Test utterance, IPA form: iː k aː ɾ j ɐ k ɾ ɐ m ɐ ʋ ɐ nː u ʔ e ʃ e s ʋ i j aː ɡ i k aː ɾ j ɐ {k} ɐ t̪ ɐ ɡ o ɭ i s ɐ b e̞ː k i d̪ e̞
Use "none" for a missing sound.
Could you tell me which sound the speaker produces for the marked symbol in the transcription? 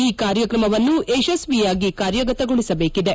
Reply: ɡ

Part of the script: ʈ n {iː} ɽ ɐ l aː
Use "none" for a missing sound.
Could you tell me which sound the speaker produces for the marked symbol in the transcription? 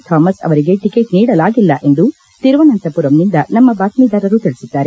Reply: iː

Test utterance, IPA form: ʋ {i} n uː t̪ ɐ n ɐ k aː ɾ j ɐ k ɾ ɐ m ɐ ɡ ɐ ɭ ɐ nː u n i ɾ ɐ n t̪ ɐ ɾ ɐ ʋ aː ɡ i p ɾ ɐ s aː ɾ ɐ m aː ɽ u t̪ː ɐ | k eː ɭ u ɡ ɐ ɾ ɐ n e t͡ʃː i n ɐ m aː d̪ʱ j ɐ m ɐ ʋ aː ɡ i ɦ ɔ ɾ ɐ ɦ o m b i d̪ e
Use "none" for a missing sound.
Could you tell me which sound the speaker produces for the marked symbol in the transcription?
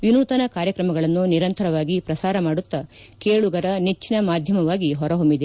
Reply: i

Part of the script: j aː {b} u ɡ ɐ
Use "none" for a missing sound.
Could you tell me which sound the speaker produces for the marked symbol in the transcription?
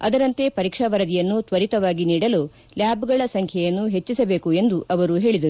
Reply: b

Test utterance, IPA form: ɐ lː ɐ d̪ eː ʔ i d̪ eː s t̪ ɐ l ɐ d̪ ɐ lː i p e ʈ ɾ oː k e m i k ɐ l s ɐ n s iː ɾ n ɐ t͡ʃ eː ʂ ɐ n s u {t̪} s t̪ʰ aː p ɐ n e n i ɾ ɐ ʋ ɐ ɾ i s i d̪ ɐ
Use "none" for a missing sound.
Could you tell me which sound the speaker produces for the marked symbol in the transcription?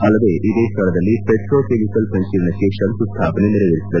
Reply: none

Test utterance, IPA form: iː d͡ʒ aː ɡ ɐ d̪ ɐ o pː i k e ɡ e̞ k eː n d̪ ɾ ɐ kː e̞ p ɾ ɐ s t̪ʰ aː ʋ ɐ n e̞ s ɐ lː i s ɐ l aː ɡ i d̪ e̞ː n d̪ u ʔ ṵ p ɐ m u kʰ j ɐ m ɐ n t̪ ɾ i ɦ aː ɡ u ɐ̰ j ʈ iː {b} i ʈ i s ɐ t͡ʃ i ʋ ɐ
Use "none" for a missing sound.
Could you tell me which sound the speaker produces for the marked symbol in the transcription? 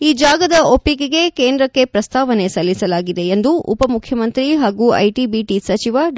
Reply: b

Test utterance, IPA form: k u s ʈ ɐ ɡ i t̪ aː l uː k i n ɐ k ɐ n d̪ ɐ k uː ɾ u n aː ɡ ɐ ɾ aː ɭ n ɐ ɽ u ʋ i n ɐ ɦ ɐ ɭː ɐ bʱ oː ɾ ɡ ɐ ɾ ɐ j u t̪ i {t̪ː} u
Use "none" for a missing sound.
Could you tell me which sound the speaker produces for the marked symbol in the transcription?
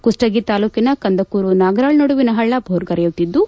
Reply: d̪ː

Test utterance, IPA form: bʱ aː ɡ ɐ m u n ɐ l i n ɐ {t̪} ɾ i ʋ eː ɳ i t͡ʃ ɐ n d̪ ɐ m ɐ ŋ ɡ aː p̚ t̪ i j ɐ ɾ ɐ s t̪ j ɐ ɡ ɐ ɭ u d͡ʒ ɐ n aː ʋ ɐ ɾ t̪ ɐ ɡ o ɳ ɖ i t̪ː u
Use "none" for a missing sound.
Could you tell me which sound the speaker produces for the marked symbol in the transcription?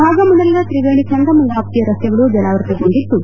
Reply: t̪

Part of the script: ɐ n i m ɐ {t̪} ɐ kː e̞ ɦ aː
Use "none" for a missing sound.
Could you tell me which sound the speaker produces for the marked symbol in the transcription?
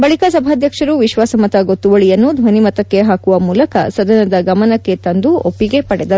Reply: t̪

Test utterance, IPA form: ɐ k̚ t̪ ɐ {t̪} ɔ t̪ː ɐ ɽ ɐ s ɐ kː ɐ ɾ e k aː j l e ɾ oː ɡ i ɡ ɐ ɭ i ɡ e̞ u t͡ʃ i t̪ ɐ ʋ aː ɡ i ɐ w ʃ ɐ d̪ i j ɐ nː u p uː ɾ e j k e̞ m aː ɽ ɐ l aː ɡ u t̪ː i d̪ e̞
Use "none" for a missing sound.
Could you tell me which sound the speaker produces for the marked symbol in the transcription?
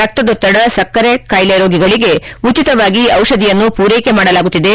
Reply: d̪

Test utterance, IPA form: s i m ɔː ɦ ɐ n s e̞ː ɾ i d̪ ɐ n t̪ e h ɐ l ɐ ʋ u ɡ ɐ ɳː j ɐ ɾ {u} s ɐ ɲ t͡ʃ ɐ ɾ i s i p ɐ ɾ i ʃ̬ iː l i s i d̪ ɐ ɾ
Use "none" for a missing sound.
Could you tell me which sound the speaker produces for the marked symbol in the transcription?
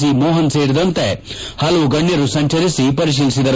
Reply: u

